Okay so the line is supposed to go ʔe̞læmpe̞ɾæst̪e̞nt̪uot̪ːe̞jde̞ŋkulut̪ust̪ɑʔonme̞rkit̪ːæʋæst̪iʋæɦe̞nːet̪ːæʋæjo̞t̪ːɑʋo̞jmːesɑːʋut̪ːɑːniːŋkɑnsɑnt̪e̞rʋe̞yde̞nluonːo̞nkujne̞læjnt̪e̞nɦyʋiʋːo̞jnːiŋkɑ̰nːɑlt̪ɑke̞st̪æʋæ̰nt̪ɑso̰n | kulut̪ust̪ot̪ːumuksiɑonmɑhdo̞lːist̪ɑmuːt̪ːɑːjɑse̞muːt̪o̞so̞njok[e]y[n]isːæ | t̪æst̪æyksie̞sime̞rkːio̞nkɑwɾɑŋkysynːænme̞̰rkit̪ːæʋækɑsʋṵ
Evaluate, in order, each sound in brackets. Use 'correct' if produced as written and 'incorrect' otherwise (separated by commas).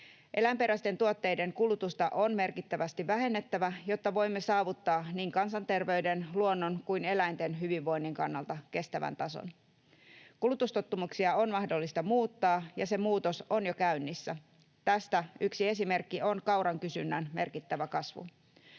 incorrect, incorrect